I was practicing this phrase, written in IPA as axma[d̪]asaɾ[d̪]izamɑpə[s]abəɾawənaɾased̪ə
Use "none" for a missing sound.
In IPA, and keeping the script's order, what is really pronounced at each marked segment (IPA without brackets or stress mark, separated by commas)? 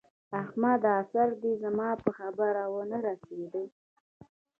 d̪, d̪, x